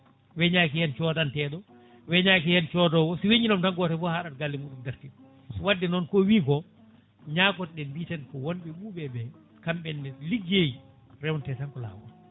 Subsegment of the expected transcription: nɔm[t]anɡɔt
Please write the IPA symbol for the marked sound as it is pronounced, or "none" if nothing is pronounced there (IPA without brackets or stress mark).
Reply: t